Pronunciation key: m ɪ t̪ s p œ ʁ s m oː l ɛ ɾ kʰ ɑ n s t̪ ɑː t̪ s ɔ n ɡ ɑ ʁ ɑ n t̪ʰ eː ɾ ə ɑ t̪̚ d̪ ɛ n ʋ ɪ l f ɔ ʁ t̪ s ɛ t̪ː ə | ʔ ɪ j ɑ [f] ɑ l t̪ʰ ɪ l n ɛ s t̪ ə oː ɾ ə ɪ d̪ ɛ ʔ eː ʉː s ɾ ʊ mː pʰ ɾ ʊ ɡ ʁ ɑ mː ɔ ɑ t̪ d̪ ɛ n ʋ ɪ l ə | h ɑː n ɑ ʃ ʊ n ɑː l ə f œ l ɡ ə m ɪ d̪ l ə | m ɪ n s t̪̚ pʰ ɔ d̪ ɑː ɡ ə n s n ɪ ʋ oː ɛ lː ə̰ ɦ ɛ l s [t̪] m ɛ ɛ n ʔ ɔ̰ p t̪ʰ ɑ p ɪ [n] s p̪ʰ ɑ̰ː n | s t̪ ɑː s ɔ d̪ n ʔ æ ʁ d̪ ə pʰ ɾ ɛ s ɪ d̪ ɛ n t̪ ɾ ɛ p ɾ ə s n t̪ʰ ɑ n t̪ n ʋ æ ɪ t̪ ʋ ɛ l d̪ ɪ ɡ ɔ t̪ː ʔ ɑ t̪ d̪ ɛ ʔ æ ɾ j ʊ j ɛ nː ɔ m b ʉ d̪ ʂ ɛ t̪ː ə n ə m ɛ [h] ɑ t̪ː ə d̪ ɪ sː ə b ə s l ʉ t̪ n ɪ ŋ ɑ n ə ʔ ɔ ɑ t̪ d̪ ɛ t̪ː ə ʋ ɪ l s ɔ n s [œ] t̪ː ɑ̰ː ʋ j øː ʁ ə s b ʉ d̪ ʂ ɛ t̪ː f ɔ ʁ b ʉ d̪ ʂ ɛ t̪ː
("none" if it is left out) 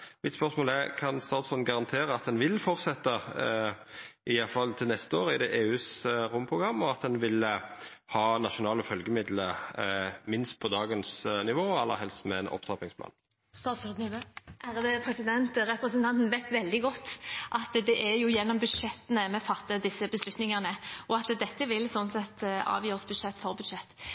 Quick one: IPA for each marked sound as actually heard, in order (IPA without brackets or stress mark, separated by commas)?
f, t̪, ŋ, f, ɛ